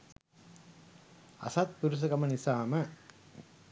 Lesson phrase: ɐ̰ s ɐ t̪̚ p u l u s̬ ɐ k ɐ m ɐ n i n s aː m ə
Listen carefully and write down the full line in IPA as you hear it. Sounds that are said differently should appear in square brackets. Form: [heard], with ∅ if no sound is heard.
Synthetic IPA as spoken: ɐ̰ s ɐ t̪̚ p u [ɾ] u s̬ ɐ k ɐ m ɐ n i [∅] s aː m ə